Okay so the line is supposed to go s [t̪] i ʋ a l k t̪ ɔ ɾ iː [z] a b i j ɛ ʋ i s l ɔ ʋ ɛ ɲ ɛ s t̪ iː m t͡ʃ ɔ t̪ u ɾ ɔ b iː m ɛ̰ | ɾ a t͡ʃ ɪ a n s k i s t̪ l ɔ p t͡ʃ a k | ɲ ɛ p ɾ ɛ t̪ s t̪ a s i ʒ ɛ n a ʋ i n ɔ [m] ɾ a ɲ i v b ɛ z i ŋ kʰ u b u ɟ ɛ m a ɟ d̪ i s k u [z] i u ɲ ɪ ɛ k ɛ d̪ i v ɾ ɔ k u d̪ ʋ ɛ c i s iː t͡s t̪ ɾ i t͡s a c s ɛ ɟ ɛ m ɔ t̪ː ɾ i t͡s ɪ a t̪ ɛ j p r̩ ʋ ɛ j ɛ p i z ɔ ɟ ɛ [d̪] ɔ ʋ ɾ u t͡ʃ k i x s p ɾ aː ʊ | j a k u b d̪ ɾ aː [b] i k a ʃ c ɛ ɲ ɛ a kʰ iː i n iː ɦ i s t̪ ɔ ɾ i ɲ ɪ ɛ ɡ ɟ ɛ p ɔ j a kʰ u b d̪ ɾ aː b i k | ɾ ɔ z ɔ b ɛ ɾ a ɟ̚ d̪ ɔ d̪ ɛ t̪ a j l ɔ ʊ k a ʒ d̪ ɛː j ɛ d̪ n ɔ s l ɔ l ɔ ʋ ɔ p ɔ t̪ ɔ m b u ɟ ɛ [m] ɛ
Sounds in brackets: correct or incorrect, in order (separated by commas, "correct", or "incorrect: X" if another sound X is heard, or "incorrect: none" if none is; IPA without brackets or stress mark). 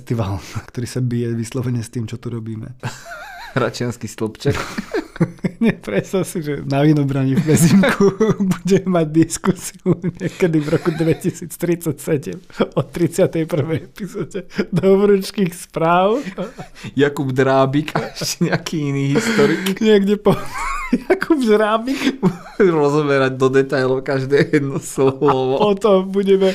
correct, incorrect: s, incorrect: b, incorrect: s, correct, correct, correct